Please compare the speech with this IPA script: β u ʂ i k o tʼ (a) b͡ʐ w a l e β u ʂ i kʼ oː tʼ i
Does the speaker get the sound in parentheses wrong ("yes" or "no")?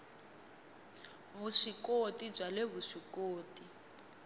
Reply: yes